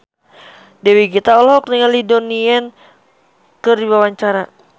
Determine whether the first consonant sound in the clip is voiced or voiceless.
voiced